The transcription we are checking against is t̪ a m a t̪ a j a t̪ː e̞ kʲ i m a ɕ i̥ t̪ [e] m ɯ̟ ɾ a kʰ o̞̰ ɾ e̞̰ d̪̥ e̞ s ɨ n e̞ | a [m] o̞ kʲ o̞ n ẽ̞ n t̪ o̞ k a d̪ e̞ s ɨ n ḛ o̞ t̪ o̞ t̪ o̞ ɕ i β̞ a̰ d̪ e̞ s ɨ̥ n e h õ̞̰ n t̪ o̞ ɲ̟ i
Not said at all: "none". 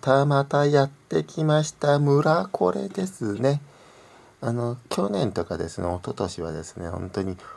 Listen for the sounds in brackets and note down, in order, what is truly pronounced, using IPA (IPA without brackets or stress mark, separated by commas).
a, n